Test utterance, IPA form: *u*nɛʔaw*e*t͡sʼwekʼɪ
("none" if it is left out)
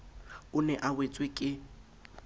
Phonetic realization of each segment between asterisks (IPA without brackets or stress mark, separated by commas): ʊ, e